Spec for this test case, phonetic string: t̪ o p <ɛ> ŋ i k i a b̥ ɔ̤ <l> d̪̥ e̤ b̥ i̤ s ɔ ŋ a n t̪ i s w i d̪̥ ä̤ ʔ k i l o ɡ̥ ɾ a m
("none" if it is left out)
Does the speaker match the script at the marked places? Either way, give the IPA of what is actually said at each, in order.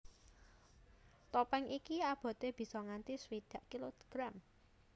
ɛ, none

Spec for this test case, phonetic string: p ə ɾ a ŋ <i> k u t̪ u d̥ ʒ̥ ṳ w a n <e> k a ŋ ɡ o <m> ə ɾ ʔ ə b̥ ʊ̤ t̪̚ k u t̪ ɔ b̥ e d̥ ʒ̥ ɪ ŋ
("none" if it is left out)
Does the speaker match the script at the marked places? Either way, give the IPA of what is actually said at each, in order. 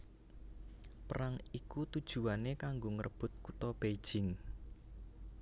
i, e, ŋ

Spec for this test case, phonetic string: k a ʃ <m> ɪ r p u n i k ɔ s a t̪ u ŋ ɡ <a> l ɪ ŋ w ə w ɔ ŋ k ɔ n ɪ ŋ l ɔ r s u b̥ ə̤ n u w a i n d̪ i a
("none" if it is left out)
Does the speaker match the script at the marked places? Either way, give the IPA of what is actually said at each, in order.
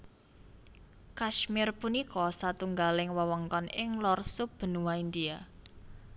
m, a

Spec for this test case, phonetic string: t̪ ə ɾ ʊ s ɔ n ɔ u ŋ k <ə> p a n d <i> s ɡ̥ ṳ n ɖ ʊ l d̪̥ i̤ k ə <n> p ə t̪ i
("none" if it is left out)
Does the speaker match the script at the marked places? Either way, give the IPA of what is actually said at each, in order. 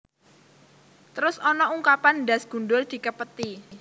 a, a, none

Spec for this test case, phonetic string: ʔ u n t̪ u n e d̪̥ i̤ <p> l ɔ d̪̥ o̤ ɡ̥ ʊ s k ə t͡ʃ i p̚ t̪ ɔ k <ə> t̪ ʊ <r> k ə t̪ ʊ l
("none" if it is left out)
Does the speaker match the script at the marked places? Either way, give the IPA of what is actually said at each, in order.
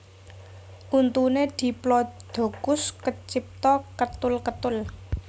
p, ə, l

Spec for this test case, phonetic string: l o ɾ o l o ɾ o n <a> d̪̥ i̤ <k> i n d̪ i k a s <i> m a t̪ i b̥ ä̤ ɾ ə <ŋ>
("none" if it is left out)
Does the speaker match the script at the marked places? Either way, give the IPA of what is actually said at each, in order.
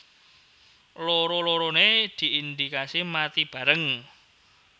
e, none, i, ŋ

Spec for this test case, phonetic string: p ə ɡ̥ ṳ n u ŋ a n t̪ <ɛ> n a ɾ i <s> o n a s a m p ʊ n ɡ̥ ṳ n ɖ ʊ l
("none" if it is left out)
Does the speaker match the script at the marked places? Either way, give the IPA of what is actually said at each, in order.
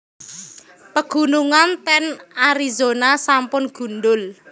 ɛ, z

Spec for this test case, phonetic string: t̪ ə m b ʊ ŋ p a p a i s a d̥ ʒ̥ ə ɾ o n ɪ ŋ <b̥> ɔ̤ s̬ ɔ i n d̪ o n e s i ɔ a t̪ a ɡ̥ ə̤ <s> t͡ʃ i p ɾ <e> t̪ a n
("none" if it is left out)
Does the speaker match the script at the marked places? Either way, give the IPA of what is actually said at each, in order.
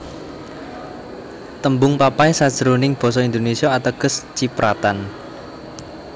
b̥, s, a

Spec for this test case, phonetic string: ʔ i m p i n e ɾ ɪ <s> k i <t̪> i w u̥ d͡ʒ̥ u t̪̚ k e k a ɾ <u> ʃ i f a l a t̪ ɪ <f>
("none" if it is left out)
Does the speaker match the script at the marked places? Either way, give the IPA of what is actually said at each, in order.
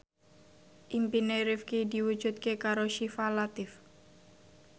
f, d̪, o, f

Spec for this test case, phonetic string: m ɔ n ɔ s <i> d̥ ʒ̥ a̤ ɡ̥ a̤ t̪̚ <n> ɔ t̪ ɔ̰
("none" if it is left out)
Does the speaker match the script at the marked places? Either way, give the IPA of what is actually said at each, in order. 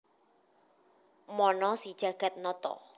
i, n

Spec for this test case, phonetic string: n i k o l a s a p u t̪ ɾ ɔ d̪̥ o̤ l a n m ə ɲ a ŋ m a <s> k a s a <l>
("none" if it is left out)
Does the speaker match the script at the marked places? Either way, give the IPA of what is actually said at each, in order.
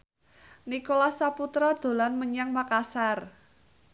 none, r

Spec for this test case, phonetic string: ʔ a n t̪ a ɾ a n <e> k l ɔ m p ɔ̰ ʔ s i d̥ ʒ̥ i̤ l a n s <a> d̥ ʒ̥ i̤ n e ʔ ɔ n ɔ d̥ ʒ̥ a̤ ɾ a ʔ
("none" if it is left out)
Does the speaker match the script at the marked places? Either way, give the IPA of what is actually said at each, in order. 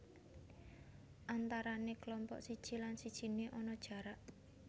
e, i

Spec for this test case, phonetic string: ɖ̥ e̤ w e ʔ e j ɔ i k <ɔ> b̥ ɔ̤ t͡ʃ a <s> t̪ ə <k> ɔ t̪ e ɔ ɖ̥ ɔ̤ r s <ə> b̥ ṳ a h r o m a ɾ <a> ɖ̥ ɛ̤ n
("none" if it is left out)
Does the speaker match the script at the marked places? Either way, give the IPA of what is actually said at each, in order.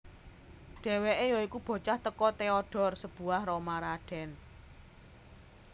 u, h, k, ə, a

